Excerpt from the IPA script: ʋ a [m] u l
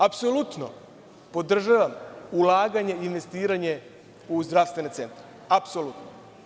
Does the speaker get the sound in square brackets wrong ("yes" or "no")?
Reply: no